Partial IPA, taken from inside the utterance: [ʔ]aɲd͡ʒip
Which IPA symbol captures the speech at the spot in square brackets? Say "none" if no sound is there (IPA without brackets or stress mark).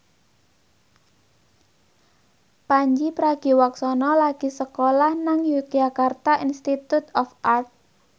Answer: p